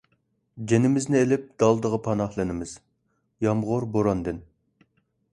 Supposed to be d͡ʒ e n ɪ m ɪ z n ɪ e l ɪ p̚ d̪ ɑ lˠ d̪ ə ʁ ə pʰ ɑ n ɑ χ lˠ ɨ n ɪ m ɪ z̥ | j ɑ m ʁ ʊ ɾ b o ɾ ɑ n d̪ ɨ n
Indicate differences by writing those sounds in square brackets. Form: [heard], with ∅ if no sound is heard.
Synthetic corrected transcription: d͡ʒ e n ɪ m ɪ z n ɪ e l ɪ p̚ d̪ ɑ lˠ d̪ ə ʁ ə pʰ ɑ n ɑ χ lˠ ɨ n ɪ m ɪ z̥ | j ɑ m ʁ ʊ ɾ b o ɾ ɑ n d̪ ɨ n